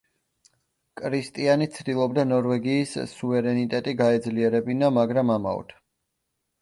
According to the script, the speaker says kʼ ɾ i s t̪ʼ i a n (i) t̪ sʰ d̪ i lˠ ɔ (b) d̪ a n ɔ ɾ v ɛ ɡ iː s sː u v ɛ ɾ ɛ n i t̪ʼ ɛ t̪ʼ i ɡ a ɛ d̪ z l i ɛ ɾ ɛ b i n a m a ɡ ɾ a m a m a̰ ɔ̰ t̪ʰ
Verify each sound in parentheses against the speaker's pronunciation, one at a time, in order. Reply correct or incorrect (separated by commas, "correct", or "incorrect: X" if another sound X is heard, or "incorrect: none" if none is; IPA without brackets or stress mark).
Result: correct, correct